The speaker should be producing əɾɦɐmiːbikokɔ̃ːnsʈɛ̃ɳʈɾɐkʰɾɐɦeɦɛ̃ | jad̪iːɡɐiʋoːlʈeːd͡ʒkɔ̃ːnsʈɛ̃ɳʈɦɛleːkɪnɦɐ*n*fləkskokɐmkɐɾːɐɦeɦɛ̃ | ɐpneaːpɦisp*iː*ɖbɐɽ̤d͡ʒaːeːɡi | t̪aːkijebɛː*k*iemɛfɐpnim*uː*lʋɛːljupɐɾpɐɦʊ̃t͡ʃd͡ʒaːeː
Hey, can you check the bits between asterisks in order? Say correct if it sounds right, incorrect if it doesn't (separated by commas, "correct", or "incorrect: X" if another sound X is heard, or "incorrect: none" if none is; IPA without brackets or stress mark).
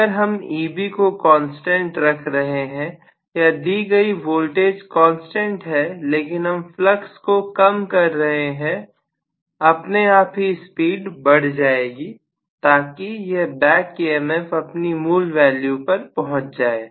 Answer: incorrect: m, correct, correct, correct